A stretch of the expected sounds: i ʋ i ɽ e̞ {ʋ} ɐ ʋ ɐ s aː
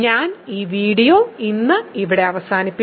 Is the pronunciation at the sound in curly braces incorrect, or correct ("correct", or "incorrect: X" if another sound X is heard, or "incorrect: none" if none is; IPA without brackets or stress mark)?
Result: incorrect: none